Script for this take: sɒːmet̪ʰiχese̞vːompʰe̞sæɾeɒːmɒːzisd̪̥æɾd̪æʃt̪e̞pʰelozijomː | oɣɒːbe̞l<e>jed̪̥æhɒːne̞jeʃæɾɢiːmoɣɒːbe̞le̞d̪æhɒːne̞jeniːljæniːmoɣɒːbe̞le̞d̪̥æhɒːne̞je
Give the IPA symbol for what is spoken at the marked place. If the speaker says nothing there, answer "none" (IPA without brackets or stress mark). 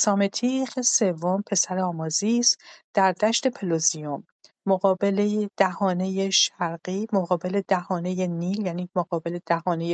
e